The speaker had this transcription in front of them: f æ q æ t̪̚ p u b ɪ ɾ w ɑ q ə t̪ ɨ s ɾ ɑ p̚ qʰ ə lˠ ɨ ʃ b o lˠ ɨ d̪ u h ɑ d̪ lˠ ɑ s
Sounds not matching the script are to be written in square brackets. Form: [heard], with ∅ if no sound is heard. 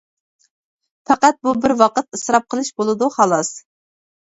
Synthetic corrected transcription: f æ q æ t̪̚ [b] u b ɪ ɾ w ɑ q ə t̪ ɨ s ɾ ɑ p̚ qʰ ə lˠ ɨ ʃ b o lˠ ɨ d̪ u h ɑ [∅] lˠ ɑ s